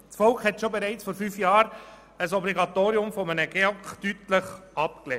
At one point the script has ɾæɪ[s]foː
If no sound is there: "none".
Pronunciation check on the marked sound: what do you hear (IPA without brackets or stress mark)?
t͡s